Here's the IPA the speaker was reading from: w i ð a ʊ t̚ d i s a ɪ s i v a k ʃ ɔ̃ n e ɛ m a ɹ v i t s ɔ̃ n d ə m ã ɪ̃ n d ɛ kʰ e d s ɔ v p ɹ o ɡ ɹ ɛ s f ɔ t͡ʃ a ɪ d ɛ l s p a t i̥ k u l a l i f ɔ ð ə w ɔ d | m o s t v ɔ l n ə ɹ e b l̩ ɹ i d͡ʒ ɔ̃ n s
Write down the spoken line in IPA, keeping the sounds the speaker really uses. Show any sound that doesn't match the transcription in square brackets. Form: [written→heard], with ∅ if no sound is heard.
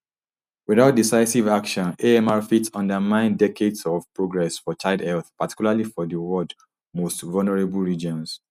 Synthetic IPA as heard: w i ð a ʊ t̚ d i s a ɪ s i v a k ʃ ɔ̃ n e ɛ m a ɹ [v→f] i t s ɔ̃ n d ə m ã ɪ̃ n d ɛ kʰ e d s ɔ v p ɹ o ɡ ɹ ɛ s f ɔ t͡ʃ a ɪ d ɛ l [s→θ] p a t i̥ k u l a l i f ɔ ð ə w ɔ d | m o s t v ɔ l n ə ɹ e b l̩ ɹ i d͡ʒ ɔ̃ n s